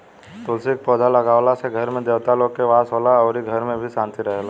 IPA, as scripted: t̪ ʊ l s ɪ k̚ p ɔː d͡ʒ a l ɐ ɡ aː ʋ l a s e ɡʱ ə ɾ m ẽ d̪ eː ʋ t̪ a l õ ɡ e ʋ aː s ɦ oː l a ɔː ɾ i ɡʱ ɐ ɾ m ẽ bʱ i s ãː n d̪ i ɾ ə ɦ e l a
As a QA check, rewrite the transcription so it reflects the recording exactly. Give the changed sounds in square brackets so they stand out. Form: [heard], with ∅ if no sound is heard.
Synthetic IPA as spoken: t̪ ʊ l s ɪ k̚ p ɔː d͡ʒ a l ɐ ɡ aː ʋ l a s e ɡʱ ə ɾ m ẽ d̪ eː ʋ t̪ a l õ [k] e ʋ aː s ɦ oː l a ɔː ɾ i ɡʱ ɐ ɾ m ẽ bʱ i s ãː n [t̪] i ɾ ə ɦ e l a

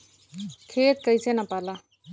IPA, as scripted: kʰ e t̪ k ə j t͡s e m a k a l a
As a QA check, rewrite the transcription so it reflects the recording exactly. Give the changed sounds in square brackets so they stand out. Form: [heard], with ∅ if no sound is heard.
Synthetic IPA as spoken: kʰ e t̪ k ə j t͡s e [n] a [p] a l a

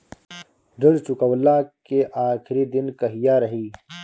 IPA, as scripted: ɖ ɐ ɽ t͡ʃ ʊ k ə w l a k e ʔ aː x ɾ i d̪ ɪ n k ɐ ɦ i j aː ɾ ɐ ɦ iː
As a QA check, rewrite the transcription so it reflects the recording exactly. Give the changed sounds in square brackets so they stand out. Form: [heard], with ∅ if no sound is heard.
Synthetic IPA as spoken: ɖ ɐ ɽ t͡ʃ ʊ k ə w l a k e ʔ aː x ɾ i d̪ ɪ n k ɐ ɦ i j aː ɾ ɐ ɦ iː

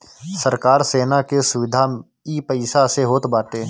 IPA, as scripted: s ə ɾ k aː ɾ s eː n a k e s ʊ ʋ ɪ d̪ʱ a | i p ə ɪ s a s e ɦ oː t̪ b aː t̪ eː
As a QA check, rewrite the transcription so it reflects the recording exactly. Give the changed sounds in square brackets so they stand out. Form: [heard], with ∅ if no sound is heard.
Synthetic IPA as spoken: s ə ɾ k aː ɾ s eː n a k e s ʊ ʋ ɪ d̪ʱ a | i p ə ɪ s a s e ɦ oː t̪ b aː t̪ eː

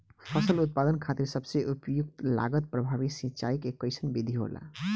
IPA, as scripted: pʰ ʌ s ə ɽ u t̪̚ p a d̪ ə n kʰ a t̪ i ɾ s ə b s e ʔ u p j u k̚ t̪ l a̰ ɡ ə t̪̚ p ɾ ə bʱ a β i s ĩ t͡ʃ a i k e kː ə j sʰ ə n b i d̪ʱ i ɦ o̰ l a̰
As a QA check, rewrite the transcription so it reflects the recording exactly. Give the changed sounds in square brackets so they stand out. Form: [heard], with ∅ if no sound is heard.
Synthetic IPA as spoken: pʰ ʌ s ə [l] u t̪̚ p a d̪ ə n kʰ a t̪ i ɾ s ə b s e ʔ u p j u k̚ t̪ l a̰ ɡ ə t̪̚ p ɾ ə bʱ a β i s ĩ t͡ʃ a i k e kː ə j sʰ ə n b i d̪ʱ i ɦ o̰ l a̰

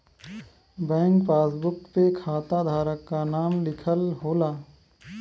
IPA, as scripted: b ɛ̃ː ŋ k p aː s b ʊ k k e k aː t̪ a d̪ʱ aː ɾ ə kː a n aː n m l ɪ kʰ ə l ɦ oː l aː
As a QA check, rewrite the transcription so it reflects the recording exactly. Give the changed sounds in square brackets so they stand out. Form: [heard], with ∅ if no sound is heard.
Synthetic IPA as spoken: b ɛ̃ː ŋ k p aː s b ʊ k [p] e [kʰ] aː t̪ a d̪ʱ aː ɾ ə kː a n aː [∅] m l ɪ kʰ ə l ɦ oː l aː

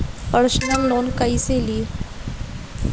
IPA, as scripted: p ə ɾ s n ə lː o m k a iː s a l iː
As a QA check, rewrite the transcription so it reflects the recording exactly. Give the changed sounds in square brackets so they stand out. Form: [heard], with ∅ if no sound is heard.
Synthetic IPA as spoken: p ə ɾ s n ə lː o [n] k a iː s [e] l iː

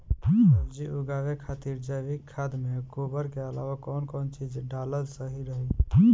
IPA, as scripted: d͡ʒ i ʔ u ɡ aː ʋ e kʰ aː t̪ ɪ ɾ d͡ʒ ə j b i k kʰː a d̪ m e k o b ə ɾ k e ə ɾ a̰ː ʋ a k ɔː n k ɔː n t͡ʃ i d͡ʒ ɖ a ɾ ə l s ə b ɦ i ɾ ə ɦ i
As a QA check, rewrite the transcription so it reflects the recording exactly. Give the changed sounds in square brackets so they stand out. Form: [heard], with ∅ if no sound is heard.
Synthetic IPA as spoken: d͡ʒ i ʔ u ɡ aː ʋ e kʰ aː t̪ [i] ɾ d͡ʒ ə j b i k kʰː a d̪ m e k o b ə ɾ k e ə [l] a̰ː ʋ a k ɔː n k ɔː n t͡ʃ i d͡ʒ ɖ a [l] ə l s ə [∅] ɦ i ɾ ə ɦ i

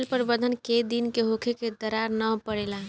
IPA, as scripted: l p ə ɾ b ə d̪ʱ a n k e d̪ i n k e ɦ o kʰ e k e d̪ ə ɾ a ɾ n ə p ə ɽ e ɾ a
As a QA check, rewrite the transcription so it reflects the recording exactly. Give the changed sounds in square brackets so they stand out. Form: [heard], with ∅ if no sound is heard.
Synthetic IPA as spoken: l p ə ɾ b ə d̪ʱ [ə] n k e d̪ i n k e ɦ o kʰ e k e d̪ ə ɾ a ɾ n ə p ə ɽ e [l] a

